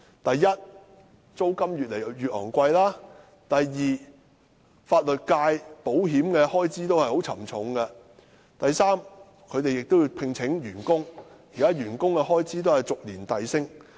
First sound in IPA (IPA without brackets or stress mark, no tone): t̪